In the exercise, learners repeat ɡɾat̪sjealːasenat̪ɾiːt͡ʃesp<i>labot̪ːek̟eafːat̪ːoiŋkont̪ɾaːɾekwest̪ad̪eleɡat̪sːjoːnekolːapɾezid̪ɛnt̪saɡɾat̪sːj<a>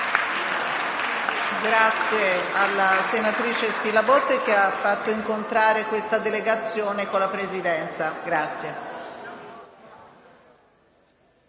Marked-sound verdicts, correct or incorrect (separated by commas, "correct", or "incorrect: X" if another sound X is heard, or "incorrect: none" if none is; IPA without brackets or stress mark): correct, incorrect: e